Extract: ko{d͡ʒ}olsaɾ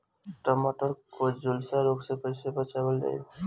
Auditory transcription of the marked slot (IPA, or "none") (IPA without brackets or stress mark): d͡ʒ